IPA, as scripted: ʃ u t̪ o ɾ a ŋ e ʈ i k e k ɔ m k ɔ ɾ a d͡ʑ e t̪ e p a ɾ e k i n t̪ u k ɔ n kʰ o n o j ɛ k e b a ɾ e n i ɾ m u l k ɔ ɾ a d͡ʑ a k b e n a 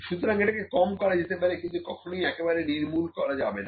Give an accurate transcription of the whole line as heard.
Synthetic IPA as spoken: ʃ u t̪ o ɾ a ŋ e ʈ a k e k ɔ m k ɔ ɾ a d͡ʑ e t̪ e p a ɾ e k i n t̪ u k ɔ kʰ o n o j ɛ k e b a ɾ e n i ɾ m u l k ɔ ɾ a d͡ʑ a b e n a

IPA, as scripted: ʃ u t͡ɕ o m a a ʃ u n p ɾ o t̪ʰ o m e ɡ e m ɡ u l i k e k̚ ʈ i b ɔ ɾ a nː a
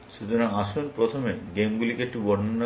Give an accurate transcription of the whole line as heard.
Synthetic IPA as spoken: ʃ u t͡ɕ o n a a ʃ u n p ɾ o t̪ʰ o m e ɡ e m ɡ u l i k e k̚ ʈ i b ɔ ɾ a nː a

